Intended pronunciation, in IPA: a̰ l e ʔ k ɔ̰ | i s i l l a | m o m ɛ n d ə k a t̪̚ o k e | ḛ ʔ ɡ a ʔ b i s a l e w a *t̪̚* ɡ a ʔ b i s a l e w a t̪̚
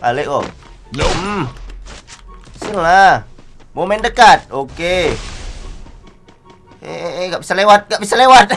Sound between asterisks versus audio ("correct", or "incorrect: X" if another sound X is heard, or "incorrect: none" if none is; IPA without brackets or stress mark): correct